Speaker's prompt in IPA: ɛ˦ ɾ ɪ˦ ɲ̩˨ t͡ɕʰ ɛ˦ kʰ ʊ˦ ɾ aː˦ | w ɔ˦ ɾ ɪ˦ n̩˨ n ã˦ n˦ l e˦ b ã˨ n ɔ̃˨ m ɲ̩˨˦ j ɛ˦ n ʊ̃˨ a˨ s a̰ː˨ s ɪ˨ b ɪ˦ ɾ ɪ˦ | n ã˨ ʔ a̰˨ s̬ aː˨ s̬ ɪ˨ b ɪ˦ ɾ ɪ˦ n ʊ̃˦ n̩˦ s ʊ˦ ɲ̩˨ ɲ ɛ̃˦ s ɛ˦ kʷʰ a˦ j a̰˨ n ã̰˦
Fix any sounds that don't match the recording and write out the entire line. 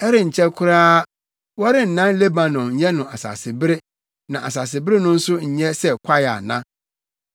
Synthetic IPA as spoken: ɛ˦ ɾ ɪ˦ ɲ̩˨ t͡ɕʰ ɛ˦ kʰ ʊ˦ ɾ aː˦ | w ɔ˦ ɾ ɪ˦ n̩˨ n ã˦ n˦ l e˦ b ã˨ n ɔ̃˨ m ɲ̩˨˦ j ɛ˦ n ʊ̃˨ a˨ s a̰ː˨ s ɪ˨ b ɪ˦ ɾ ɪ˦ | n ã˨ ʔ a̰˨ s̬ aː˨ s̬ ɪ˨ b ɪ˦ ɾ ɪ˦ n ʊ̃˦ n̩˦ s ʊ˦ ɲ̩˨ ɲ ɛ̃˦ s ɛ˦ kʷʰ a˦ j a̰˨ n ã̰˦